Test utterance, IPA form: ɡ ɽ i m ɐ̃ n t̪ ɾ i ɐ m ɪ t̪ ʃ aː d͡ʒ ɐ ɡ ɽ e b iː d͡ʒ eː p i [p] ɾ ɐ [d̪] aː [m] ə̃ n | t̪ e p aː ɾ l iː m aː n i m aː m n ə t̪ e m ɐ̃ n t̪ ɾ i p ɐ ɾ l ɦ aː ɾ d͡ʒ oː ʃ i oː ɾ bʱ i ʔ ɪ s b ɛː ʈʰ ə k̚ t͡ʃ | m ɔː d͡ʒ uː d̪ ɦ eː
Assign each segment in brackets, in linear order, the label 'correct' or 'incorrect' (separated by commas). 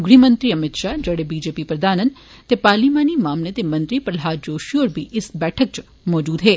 correct, correct, incorrect